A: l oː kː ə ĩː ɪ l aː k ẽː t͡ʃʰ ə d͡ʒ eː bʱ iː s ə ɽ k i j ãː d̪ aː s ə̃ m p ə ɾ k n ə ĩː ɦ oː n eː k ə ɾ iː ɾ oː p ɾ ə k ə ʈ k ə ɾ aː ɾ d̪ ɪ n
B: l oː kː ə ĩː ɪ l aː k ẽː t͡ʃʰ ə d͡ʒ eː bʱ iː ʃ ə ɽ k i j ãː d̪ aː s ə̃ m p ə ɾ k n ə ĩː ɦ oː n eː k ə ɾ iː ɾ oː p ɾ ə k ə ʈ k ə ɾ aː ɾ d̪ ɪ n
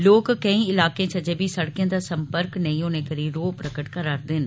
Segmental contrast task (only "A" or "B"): A